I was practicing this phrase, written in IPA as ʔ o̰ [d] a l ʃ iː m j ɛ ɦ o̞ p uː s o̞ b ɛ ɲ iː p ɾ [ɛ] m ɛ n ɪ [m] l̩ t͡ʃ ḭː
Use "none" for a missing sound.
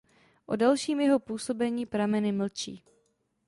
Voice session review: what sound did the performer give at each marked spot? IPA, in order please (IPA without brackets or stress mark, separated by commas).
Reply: d, a, m